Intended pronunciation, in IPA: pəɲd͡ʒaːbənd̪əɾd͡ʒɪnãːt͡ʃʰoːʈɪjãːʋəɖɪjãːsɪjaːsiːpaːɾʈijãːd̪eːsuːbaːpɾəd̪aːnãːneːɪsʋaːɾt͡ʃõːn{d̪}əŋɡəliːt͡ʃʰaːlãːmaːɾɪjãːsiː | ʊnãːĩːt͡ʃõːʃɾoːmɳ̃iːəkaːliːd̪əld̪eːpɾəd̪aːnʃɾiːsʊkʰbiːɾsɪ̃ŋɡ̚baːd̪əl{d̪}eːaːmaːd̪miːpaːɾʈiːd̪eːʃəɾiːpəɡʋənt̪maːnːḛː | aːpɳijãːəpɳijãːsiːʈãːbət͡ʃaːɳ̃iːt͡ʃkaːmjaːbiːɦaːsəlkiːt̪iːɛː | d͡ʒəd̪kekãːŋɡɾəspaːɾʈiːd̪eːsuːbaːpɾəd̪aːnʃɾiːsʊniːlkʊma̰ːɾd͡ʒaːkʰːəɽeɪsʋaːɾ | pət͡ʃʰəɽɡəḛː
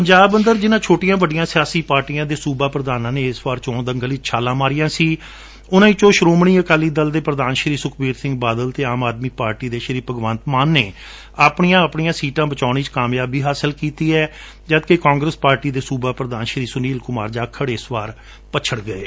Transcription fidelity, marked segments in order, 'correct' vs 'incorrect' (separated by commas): correct, incorrect